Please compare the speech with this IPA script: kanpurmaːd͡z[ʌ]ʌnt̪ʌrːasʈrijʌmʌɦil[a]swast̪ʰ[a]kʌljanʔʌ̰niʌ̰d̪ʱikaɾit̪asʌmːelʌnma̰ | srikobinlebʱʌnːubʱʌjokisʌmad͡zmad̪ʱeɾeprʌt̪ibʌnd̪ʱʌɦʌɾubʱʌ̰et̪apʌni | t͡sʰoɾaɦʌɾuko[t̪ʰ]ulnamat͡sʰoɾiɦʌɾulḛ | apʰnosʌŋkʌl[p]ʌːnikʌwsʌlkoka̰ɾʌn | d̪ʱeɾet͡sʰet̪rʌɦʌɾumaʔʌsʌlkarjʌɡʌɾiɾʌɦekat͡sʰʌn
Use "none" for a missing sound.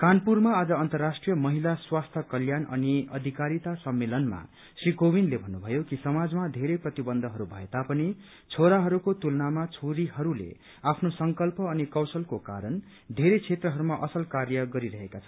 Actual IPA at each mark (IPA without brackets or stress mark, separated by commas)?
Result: ʌ, a, ʌ, t̪, p